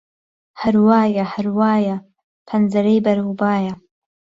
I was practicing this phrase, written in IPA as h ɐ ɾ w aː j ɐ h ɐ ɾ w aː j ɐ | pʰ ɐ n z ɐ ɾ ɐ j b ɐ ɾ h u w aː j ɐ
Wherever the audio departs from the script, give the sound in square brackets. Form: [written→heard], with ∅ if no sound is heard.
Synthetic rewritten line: h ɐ ɾ w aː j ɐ h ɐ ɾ w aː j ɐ | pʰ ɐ n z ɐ ɾ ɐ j b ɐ ɾ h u [w→b] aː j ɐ